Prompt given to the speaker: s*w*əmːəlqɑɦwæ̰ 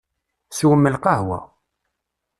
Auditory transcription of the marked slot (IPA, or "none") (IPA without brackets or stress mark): w